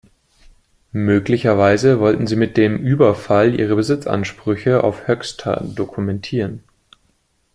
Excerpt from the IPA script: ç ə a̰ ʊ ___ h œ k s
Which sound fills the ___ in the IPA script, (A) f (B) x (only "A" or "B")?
A